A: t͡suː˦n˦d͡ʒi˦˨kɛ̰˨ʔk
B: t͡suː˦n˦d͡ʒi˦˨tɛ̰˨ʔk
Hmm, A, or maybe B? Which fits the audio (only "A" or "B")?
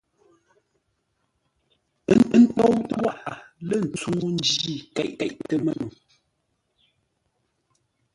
A